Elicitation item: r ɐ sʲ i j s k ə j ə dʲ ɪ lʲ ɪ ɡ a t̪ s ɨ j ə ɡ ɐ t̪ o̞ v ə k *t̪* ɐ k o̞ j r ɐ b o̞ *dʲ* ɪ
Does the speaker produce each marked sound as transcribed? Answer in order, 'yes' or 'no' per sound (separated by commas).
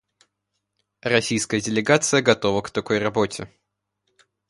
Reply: yes, no